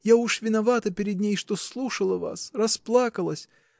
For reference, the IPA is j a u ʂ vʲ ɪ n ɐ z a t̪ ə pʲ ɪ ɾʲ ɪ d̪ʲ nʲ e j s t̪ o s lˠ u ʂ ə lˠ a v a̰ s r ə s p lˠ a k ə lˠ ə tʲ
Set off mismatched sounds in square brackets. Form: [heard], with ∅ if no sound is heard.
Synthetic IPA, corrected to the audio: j a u ʂ vʲ ɪ n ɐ [v] a t̪ ə pʲ ɪ ɾʲ ɪ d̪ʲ nʲ e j [ʂ] t̪ o s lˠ u ʂ ə lˠ [ə] v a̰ s r [ɐ] s p lˠ a k ə lˠ ə [sʲ]